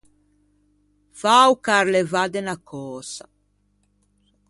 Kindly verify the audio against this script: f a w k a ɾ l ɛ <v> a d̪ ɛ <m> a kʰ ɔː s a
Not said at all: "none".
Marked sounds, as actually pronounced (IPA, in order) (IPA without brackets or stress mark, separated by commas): v, n